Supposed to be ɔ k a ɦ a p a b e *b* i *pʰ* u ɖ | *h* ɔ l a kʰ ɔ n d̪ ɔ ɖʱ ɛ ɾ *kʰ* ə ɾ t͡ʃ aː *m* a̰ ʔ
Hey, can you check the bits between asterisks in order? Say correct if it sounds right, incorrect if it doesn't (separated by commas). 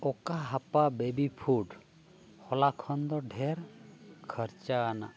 correct, correct, correct, correct, incorrect